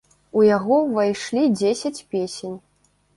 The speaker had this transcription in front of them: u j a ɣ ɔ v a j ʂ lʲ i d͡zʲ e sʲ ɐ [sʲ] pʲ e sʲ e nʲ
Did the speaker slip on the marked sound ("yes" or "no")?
yes